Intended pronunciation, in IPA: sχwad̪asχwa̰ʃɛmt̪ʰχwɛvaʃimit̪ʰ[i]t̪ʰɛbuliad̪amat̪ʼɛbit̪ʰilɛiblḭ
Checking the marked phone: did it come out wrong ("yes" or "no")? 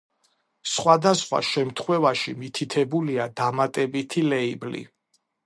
no